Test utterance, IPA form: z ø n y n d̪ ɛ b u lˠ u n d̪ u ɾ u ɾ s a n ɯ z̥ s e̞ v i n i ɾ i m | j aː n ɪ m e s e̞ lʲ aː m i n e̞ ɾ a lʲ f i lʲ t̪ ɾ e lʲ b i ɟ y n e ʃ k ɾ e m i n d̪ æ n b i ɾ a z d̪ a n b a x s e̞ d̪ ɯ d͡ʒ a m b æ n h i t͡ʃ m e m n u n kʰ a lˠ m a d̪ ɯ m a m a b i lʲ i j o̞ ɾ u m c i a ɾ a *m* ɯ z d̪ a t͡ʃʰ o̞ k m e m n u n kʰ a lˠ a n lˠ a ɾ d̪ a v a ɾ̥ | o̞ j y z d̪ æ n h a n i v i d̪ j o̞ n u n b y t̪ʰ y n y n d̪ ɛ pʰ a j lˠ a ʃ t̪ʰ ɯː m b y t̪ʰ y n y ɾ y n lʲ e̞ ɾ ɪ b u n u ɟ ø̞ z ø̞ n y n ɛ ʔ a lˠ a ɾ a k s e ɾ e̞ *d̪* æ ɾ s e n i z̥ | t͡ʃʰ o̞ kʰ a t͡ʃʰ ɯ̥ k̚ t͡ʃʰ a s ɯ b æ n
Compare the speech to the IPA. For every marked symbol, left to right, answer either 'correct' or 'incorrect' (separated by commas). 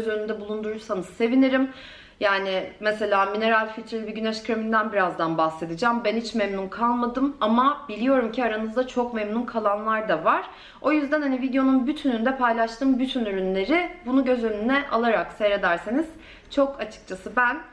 incorrect, correct